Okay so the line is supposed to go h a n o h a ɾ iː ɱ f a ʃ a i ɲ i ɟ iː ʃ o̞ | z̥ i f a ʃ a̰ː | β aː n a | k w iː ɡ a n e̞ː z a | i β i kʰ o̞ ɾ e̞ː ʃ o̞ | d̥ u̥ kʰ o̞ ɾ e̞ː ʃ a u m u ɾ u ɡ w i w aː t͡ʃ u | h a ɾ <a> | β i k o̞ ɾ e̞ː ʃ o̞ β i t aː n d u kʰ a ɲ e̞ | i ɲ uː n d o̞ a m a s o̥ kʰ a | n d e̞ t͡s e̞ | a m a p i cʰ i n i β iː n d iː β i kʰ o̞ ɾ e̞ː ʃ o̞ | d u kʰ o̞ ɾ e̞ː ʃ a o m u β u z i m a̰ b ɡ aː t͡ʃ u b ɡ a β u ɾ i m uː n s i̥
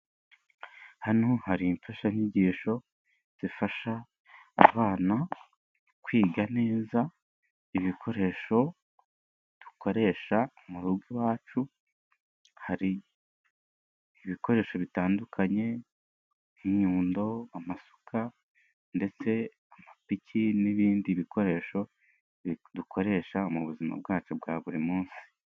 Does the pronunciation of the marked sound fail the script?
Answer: yes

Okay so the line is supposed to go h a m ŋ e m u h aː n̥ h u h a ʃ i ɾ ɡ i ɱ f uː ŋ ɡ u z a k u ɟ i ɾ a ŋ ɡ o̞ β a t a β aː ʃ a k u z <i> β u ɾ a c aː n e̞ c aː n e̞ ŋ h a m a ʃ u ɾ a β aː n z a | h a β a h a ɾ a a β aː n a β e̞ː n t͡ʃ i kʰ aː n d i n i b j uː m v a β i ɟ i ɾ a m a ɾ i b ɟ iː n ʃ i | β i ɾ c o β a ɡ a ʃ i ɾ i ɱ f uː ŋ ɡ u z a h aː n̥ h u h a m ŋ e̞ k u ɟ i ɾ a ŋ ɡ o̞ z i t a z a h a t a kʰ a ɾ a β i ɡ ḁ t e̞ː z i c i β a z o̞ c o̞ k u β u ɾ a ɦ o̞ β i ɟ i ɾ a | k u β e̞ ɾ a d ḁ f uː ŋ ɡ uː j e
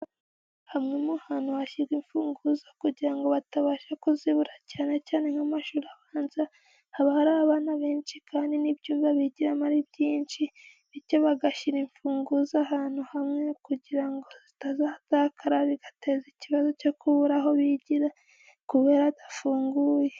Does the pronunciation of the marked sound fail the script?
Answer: no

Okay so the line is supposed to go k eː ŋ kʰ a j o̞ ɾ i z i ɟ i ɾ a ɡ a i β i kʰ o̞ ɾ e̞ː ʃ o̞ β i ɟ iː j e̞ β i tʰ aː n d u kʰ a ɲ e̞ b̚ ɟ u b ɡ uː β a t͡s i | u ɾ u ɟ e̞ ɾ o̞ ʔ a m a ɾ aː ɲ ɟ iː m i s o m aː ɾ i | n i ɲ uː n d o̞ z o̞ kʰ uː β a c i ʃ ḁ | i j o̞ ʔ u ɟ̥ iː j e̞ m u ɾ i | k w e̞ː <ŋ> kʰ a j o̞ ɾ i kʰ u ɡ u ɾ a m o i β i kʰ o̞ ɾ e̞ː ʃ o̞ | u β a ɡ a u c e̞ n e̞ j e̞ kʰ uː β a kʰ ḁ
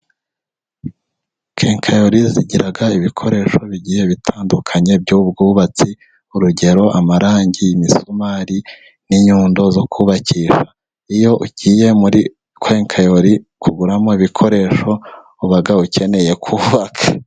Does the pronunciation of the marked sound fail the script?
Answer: no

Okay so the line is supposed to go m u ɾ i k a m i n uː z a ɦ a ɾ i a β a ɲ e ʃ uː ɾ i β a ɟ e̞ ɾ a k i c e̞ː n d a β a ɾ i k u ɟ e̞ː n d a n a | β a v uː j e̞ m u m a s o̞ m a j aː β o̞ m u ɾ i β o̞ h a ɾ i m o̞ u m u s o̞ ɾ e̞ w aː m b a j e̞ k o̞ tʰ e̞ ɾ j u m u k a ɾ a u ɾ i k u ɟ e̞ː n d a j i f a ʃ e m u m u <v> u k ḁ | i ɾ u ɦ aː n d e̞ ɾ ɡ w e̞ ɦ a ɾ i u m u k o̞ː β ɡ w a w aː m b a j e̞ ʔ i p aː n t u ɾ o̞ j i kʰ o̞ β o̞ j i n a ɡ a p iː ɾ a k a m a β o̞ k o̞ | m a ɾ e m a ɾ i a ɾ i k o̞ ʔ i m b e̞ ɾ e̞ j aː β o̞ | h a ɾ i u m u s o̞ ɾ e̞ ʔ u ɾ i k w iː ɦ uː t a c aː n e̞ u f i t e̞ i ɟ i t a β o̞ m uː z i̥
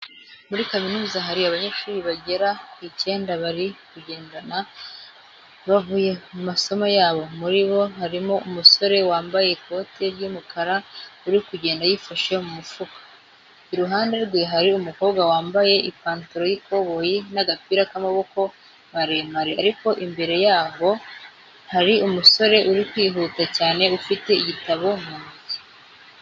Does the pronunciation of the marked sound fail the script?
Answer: yes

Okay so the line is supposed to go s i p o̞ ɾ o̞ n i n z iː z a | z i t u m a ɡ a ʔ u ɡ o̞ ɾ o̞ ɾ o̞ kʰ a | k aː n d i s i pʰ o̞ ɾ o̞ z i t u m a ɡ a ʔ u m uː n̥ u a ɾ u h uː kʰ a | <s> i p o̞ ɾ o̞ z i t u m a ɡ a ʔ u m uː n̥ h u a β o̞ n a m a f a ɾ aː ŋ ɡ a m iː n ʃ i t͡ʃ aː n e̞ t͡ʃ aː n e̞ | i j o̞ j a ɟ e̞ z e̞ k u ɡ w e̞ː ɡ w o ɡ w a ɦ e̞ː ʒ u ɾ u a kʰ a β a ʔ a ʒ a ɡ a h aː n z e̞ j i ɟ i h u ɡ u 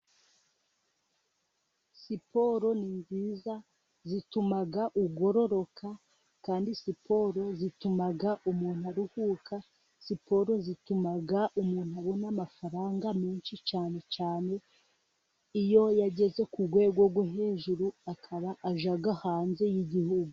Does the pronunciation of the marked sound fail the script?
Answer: no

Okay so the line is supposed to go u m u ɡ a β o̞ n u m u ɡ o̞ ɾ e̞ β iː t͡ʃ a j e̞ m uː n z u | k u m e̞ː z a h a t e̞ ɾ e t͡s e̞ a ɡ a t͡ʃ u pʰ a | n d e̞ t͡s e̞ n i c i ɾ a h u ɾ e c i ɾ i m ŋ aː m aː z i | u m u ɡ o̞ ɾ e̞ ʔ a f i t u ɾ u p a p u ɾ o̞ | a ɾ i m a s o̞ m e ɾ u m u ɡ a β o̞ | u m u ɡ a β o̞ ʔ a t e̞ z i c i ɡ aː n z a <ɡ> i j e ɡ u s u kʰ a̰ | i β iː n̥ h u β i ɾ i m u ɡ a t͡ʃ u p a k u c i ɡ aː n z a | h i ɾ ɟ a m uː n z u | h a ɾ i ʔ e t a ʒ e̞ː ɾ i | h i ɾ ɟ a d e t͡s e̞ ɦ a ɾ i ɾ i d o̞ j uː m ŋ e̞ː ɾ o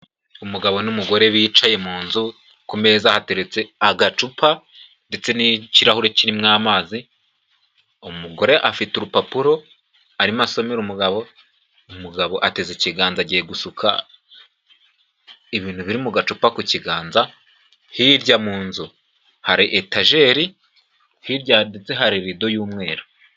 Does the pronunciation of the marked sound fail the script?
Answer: yes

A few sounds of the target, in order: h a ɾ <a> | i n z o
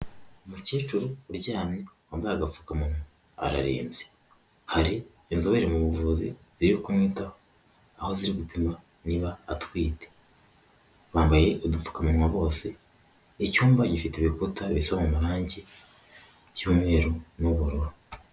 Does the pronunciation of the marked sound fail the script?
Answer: yes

